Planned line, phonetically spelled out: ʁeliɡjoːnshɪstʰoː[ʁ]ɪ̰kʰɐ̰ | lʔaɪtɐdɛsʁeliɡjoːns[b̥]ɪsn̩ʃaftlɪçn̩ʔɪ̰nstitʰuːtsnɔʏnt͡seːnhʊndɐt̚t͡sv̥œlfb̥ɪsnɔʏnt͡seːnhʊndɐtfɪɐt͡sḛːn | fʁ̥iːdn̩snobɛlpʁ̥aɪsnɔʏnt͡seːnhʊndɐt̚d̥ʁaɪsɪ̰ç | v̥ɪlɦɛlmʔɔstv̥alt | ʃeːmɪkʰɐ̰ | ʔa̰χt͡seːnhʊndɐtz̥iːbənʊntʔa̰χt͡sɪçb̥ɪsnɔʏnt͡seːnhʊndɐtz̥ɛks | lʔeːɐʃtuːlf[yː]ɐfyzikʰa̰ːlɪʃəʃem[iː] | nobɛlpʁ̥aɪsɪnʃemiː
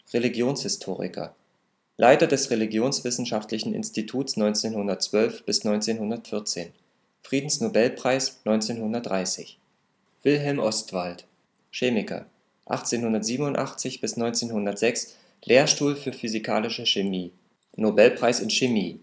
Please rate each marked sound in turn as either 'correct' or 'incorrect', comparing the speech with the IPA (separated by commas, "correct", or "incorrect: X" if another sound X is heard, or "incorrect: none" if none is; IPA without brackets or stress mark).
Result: correct, incorrect: v̥, correct, correct